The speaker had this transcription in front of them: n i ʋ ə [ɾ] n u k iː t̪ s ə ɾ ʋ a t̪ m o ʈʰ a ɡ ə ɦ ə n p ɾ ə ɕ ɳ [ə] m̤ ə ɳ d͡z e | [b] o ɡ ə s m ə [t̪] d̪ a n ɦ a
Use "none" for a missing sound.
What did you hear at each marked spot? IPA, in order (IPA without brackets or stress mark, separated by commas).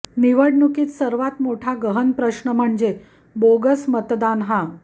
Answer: ɽ, ə, b, t̪